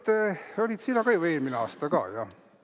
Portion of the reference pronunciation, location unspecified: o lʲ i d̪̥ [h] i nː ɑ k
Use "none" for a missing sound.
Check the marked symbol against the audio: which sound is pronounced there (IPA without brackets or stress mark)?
s